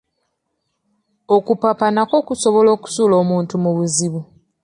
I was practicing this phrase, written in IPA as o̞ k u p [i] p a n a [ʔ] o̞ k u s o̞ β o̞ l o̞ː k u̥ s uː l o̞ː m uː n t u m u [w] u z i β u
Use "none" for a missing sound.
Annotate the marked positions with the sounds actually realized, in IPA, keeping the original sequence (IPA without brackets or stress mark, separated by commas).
a, k, β